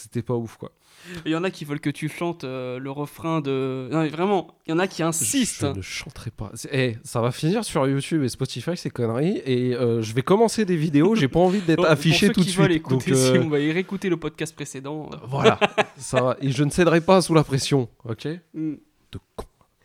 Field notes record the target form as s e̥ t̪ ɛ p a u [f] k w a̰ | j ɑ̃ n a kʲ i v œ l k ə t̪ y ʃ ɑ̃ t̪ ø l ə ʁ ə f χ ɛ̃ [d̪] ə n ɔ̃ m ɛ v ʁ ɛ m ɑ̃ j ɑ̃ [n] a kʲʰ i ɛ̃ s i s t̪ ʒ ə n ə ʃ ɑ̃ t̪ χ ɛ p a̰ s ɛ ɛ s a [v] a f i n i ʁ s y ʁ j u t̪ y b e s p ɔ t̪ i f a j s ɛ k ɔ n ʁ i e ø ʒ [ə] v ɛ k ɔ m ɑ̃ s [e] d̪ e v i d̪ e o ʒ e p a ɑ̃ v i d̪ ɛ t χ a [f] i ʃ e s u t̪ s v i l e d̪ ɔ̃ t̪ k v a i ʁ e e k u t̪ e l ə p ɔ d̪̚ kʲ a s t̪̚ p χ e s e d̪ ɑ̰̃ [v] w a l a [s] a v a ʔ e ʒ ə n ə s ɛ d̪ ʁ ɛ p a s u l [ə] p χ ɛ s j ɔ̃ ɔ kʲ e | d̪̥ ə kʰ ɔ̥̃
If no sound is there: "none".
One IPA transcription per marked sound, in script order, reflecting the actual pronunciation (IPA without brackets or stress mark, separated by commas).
f, d̪, n, v, ə, e, f, v, s, a